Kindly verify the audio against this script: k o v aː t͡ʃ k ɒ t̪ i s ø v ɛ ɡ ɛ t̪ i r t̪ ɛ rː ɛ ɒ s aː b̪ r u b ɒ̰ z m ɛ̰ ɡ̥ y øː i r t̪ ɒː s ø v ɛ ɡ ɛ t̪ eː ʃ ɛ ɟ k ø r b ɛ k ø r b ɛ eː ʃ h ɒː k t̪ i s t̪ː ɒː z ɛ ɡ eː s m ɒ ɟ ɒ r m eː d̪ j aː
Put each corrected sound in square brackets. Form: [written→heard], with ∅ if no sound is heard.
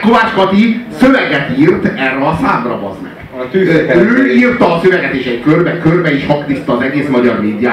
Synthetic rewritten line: k o v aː t͡ʃ k ɒ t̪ i s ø v ɛ ɡ ɛ t̪ i r t̪ ɛ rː ɛ ɒ s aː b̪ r [u→ɒ] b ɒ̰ z m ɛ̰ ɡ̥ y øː i r t̪ ɒː s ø v ɛ ɡ ɛ t̪ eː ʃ ɛ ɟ k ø r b ɛ k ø r b ɛ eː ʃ h [ɒː→ɒ] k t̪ i s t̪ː ɒː z ɛ ɡ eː s m ɒ ɟ ɒ r m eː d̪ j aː